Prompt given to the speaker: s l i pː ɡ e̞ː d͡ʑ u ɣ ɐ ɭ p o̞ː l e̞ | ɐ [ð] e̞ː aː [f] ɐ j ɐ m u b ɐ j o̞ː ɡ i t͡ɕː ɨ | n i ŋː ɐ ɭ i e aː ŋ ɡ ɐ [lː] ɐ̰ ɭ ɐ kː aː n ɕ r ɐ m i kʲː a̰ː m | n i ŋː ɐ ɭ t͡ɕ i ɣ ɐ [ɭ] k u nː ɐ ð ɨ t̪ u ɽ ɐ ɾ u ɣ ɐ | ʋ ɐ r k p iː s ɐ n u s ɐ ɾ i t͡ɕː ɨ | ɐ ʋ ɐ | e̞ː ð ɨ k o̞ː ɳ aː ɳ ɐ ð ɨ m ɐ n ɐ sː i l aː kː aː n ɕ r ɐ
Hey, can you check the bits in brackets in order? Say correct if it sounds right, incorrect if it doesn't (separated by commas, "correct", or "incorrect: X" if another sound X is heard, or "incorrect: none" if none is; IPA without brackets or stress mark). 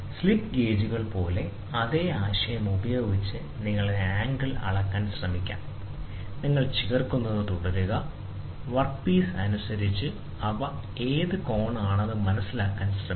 correct, incorrect: ɕ, incorrect: l, incorrect: r